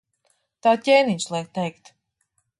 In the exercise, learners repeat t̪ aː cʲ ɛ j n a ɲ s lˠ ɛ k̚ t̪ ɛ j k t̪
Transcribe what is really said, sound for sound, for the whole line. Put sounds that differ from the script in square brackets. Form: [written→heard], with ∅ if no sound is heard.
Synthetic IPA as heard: t̪ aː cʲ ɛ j n [a→i] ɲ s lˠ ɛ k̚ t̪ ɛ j k t̪